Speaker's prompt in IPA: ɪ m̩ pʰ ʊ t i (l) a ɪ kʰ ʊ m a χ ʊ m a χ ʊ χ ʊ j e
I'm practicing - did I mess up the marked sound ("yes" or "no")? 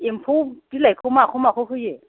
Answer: no